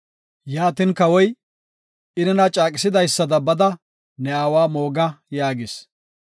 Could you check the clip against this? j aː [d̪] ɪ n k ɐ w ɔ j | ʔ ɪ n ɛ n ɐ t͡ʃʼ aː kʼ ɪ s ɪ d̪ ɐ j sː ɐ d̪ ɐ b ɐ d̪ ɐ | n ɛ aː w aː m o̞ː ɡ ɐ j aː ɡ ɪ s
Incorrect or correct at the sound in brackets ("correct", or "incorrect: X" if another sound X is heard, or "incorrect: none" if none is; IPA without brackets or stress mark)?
incorrect: t̪